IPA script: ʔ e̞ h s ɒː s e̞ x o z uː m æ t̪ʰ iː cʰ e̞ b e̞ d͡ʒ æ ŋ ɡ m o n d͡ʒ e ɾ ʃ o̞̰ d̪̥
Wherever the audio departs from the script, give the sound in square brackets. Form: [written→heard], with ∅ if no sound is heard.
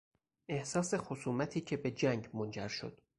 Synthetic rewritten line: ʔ e̞ h s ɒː s e̞ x o [z→s] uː m æ t̪ʰ iː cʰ e̞ b e̞ d͡ʒ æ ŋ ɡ m o n d͡ʒ [e→æ] ɾ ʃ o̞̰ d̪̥